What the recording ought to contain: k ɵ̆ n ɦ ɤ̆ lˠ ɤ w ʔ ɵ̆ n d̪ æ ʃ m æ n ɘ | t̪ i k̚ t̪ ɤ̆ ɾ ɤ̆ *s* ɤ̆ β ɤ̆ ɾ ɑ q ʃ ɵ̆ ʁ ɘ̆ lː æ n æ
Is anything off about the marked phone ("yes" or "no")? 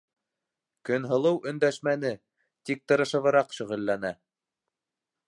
yes